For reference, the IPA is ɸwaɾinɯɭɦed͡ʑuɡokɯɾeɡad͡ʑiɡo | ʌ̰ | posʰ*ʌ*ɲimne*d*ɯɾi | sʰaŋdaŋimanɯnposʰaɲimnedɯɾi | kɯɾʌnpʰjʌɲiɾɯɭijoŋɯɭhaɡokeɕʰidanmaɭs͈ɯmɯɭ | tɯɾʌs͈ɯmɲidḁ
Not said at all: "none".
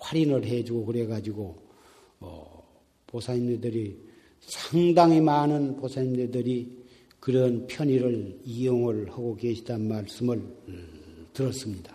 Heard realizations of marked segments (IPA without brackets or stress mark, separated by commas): a, d